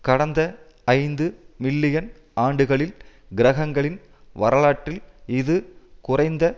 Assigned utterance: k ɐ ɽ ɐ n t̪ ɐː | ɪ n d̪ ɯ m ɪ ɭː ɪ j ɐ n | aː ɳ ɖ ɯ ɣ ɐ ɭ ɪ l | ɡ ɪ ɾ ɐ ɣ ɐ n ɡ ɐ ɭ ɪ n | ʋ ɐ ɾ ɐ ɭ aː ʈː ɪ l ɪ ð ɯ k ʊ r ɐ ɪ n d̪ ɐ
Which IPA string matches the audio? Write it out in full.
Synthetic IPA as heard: k ɐ ɽ ɐ n d̪ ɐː | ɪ n d̪ ɯ m ɪ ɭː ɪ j ɐ n | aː ɳ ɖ ɯ ɣ ɐ ɭ ɪ l | ɡ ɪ ɾ ɐ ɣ ɐ ŋ ɡ ɐ ɭ ɪ n | ʋ ɐ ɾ ɐ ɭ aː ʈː ɪ l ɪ ð ɯ k ʊ r ɐ ɪ n d̪ ɐ